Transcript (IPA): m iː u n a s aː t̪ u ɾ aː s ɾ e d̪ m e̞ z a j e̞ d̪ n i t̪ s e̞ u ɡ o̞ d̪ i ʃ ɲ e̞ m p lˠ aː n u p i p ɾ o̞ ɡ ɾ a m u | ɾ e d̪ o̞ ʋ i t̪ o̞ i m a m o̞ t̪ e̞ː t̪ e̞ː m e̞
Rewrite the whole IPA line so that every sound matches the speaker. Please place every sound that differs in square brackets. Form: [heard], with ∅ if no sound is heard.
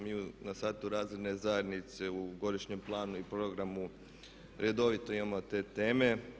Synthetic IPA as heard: m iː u n a s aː t̪ u ɾ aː [z] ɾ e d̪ [n] e̞ z a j e̞ d̪ n i t̪ s e̞ u ɡ o̞ d̪ i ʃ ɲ e̞ m p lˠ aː n u [∅] i p ɾ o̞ ɡ ɾ a m u | ɾ e d̪ o̞ ʋ i t̪ o̞ i m a m o̞ t̪ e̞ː t̪ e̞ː m e̞